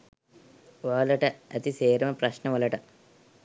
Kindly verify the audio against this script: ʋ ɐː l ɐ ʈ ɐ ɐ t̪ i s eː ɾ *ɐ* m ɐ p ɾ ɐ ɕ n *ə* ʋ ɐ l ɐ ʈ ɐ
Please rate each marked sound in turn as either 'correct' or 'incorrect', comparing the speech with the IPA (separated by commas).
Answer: correct, incorrect